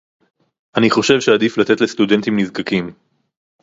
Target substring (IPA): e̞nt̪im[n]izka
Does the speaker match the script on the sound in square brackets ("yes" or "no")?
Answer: yes